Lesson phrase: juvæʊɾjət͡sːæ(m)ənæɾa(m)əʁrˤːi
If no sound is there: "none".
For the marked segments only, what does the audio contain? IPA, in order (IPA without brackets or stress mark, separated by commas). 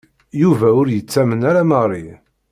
m, m